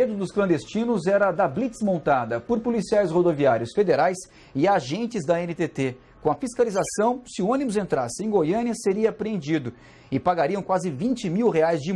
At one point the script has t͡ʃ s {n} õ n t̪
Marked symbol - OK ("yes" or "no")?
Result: no